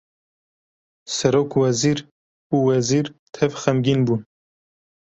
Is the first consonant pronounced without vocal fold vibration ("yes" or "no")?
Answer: yes